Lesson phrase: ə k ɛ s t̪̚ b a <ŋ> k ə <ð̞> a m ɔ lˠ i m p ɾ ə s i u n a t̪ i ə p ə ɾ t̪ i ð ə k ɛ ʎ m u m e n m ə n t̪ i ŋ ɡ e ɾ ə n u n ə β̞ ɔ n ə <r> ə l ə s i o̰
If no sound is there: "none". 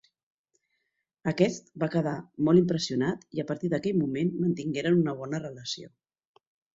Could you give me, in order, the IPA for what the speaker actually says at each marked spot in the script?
none, ð̞, r

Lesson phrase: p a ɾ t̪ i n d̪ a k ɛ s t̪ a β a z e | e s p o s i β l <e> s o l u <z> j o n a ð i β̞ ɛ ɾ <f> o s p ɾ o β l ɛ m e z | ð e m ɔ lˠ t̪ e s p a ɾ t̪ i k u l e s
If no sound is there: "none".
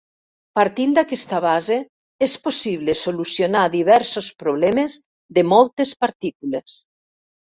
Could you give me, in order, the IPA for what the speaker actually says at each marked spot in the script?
e, s, s

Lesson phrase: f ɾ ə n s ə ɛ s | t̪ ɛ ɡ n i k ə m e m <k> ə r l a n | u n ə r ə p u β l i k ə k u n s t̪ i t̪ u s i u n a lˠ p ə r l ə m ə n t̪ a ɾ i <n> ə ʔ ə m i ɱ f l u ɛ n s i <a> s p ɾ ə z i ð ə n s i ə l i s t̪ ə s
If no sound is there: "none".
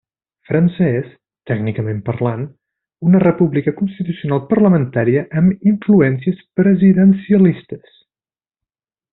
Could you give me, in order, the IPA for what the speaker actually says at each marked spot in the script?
p, none, ə

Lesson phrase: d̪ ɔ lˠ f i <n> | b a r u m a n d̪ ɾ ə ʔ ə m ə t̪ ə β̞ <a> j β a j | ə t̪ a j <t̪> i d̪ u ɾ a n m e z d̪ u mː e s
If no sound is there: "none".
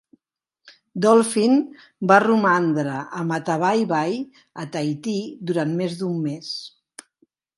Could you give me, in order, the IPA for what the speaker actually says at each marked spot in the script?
n, a, t̪

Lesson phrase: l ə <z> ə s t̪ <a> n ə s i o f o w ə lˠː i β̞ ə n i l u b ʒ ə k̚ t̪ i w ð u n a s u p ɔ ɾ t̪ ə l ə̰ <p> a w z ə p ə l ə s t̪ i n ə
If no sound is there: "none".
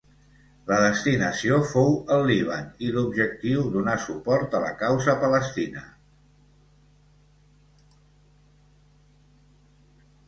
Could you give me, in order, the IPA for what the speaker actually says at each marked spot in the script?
ð, i, k

